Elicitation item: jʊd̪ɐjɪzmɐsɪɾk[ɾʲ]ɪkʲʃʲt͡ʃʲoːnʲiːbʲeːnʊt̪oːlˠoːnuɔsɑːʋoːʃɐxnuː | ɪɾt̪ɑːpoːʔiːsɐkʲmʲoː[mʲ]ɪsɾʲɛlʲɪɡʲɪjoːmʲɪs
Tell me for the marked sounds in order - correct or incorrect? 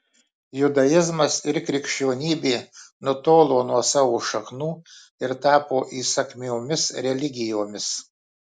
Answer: correct, correct

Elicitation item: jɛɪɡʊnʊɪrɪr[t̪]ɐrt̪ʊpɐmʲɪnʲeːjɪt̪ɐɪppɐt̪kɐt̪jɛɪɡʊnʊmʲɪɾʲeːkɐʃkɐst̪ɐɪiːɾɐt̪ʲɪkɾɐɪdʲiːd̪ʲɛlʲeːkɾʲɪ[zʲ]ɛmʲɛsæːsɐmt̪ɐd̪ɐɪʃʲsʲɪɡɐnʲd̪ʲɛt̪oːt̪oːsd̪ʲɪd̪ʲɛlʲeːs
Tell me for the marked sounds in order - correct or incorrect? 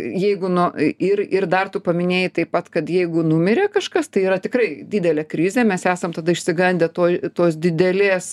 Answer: incorrect, correct

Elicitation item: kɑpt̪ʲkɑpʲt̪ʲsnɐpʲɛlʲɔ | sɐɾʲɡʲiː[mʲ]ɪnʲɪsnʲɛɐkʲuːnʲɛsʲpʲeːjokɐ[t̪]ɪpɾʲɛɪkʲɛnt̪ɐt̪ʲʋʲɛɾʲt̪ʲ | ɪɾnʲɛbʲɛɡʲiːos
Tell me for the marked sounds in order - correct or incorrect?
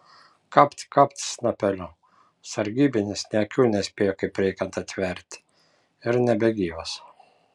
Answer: incorrect, incorrect

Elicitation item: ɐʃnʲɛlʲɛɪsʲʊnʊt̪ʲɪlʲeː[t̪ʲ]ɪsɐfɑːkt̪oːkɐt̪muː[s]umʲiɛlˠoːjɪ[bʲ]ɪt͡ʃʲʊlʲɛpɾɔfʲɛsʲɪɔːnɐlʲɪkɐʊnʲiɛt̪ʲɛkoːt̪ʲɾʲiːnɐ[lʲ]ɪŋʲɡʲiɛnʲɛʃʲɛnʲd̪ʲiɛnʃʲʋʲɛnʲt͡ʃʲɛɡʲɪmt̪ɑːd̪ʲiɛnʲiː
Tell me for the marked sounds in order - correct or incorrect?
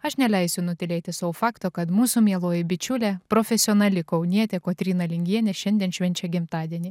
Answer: correct, correct, correct, correct

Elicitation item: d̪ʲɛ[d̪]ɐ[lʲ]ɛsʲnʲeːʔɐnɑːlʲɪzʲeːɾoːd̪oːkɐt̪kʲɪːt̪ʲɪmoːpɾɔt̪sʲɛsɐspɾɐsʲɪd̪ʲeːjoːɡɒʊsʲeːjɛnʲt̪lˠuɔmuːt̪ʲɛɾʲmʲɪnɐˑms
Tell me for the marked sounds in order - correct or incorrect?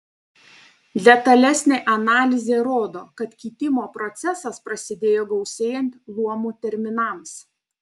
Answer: incorrect, correct

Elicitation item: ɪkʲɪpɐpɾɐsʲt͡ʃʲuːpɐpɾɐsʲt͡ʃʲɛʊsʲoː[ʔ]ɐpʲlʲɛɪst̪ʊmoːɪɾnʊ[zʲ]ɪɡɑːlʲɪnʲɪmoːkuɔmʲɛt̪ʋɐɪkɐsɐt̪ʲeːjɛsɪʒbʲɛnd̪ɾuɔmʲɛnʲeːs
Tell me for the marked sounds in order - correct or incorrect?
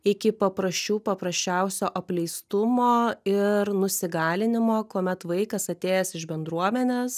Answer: correct, incorrect

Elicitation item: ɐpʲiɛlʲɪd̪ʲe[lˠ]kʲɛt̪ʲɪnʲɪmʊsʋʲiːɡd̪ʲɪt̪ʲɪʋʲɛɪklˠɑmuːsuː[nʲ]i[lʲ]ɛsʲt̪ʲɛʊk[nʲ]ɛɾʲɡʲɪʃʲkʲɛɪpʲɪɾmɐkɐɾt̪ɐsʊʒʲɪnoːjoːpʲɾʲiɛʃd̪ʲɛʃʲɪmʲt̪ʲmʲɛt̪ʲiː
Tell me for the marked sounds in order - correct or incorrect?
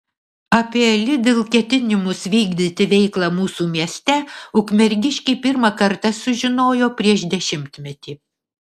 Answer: correct, incorrect, incorrect, incorrect

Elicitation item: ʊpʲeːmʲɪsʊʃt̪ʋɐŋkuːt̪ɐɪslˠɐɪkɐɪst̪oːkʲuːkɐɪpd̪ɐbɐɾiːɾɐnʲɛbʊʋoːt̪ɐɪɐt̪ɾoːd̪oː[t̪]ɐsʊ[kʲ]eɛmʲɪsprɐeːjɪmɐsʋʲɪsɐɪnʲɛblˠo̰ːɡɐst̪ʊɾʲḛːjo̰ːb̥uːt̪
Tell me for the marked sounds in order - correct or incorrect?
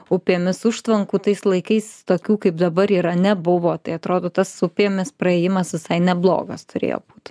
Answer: correct, incorrect

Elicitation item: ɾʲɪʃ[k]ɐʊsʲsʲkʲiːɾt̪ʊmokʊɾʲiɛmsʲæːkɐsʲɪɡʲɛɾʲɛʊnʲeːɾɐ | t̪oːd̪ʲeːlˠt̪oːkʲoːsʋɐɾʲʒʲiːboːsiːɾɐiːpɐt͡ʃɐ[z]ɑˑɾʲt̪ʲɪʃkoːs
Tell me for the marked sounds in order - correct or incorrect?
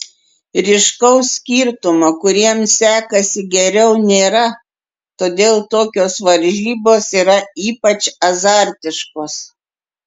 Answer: correct, correct

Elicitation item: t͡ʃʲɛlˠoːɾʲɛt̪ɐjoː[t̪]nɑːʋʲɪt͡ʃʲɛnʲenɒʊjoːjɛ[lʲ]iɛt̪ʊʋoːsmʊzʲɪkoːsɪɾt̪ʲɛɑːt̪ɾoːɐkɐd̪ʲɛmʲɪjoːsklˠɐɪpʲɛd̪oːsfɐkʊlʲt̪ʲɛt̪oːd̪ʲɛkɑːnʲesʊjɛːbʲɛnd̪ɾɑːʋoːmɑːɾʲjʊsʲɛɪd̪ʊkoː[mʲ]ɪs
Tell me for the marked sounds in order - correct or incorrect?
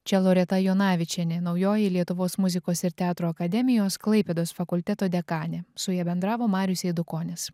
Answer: incorrect, correct, incorrect

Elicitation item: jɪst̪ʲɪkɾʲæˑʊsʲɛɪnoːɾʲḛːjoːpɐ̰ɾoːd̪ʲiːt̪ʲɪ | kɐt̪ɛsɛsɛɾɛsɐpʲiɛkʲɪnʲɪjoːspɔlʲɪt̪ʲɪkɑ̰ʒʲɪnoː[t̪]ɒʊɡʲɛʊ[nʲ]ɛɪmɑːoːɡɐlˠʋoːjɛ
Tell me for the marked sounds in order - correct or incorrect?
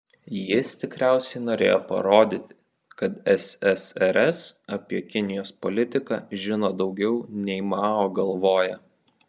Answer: incorrect, correct

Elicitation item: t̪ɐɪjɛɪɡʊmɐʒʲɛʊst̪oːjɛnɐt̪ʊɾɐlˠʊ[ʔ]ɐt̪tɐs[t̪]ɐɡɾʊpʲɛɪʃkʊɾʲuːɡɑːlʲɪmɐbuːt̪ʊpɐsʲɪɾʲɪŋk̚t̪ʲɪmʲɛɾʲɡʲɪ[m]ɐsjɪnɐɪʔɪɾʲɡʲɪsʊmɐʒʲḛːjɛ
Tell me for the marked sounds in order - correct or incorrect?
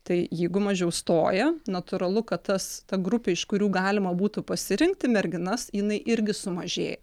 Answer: incorrect, correct, incorrect

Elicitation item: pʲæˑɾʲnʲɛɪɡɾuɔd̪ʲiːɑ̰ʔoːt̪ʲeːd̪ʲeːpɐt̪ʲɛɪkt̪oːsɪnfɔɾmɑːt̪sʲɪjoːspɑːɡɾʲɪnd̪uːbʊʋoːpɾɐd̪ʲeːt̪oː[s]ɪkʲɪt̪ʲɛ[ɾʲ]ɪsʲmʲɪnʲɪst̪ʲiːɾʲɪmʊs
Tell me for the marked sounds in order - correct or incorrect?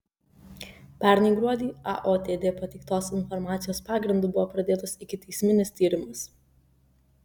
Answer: correct, incorrect

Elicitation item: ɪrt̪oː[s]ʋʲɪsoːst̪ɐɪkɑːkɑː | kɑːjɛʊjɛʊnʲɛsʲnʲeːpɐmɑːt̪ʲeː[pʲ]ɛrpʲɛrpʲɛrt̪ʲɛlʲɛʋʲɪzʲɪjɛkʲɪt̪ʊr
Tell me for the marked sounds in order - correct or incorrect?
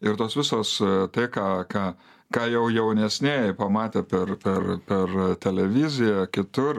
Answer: correct, correct

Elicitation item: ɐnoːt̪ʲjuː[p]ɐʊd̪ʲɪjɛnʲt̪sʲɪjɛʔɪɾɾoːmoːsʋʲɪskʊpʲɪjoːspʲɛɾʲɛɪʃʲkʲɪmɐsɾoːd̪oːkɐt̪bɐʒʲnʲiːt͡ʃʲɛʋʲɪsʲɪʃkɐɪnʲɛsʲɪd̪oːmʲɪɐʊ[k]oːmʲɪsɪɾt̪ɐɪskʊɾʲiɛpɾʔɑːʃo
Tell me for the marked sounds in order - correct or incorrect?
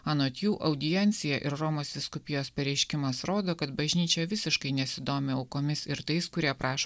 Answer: incorrect, correct

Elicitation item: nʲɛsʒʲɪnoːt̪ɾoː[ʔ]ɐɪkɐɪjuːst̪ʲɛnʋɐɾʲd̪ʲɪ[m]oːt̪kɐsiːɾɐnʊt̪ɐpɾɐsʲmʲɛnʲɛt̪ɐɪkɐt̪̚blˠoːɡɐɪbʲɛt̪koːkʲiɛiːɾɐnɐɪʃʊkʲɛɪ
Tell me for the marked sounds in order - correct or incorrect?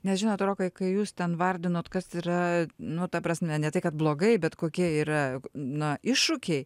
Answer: incorrect, incorrect

